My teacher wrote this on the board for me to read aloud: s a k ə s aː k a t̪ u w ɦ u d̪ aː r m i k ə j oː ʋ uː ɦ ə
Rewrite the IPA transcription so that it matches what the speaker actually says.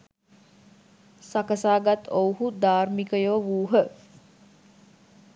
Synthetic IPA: s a k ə s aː ɡ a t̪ o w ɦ u d̪ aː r m i k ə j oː ʋ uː ɦ ə